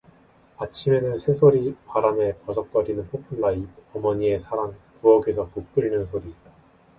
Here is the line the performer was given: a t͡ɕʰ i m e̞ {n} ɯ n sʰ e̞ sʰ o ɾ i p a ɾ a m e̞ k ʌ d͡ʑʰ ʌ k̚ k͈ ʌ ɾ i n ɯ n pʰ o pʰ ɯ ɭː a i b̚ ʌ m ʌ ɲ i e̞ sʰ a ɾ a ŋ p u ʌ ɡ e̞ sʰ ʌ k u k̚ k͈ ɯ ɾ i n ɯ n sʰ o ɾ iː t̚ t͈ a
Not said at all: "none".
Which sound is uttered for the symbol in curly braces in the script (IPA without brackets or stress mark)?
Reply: n